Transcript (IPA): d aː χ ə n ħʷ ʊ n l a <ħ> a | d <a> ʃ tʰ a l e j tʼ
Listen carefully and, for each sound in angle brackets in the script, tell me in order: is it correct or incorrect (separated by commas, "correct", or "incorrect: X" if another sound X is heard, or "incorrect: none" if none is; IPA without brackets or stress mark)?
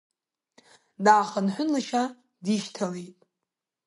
incorrect: ʃ, incorrect: i